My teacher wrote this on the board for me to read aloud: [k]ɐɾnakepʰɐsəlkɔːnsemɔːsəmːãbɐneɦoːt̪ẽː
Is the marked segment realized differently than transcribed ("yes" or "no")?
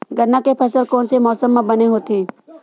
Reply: yes